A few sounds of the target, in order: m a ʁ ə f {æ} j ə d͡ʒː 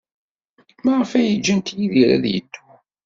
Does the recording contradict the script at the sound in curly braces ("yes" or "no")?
no